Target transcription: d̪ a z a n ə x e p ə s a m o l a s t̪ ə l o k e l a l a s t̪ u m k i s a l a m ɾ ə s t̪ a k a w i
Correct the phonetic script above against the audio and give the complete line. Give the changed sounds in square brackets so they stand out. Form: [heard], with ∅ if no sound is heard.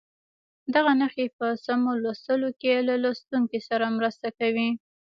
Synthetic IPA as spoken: d̪ a [ɣ] a n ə x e p ə s a m o l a s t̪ ə l o k e l a l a s t̪ u [ŋ] k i s a [ɾ] a m ɾ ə s t̪ a k a w i